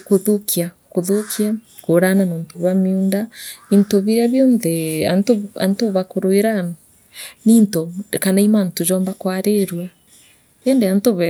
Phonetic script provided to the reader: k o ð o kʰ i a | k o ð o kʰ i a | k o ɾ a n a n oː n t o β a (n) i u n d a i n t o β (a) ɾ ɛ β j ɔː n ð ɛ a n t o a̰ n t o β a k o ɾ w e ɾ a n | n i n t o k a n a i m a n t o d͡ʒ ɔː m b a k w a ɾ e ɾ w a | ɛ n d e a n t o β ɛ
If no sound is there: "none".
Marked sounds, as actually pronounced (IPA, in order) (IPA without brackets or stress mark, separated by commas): m, i